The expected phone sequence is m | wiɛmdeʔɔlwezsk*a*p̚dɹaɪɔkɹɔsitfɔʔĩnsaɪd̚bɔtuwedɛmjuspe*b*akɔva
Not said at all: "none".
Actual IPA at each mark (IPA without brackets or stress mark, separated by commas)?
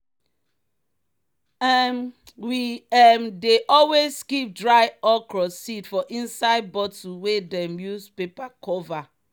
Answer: i, p